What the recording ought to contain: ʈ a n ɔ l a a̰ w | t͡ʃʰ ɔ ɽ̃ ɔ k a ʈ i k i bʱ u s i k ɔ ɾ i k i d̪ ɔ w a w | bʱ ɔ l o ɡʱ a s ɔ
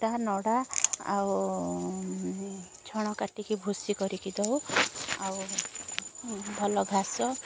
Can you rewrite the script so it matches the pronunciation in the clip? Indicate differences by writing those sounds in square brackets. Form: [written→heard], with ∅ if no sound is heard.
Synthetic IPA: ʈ a n ɔ [l→ɽ] a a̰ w | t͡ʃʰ ɔ ɽ̃ ɔ k a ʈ i k i bʱ u s i k ɔ ɾ i k i d̪ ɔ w a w | bʱ ɔ l [o→ɔ] ɡʱ a s ɔ